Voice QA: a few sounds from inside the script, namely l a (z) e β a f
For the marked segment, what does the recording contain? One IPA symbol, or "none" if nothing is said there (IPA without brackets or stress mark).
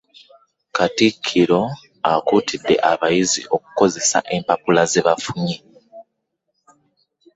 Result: z